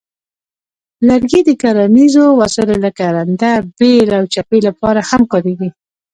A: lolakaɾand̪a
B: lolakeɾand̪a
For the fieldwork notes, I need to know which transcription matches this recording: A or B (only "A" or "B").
A